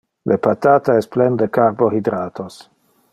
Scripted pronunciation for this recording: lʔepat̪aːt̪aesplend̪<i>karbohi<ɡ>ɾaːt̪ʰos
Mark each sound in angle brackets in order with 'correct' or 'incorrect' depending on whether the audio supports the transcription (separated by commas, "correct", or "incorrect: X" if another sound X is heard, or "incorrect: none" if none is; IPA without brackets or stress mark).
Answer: incorrect: e, incorrect: d